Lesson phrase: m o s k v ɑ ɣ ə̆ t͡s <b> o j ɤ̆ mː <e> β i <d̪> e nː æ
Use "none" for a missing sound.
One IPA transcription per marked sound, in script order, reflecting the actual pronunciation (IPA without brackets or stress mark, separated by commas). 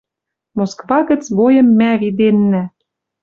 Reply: β, æ, d̪